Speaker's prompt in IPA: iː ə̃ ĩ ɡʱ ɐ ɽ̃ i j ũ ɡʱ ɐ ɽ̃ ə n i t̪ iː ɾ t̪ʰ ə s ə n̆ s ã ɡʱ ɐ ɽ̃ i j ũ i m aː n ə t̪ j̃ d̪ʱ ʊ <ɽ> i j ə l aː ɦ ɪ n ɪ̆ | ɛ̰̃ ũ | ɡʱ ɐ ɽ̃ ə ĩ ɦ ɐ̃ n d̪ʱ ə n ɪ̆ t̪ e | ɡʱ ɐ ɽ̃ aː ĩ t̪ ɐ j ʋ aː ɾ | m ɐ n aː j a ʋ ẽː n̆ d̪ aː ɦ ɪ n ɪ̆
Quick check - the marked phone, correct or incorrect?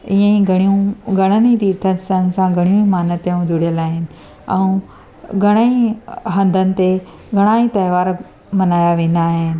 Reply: correct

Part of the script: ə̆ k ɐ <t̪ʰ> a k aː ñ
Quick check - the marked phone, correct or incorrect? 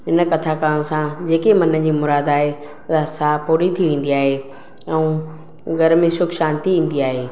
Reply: correct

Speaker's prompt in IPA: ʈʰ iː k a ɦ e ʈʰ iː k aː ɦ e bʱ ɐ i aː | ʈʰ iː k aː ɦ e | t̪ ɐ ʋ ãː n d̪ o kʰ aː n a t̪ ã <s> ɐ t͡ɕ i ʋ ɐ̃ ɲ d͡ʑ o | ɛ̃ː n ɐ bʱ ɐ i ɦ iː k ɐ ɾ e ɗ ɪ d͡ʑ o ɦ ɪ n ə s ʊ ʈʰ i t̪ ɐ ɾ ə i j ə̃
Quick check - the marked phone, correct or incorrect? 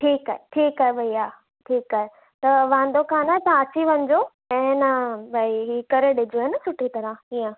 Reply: incorrect: none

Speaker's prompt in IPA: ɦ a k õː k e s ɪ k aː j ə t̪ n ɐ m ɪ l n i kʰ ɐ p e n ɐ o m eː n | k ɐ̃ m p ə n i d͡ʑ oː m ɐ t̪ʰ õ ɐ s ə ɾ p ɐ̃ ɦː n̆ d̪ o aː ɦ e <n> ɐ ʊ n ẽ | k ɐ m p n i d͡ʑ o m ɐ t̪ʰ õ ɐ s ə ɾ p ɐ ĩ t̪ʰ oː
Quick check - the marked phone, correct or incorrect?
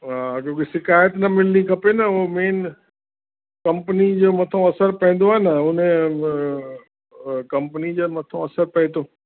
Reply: correct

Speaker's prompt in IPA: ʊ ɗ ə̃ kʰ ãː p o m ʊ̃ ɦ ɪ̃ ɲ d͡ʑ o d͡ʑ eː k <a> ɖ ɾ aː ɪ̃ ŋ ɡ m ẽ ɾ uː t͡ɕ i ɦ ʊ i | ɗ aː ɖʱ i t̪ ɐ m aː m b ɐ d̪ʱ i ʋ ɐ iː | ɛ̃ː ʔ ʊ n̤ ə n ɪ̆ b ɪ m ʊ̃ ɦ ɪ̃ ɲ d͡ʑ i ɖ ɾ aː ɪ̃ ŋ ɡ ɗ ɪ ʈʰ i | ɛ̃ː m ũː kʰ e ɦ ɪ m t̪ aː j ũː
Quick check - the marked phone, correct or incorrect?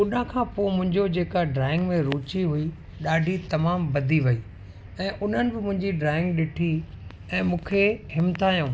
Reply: correct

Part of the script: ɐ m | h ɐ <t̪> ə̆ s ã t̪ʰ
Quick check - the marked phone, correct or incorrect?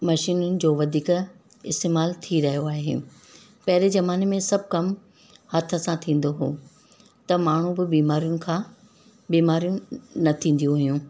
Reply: incorrect: t̪ʰ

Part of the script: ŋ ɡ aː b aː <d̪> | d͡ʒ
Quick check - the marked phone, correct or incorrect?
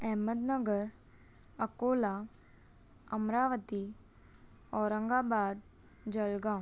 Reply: correct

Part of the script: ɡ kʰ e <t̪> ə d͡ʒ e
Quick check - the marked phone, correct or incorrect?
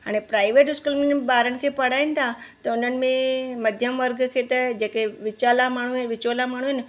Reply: correct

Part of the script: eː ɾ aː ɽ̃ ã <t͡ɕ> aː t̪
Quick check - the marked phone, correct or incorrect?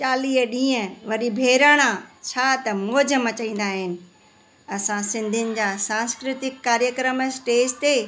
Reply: incorrect: t͡ɕʰ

